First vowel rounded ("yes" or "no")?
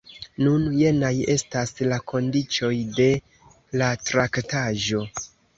yes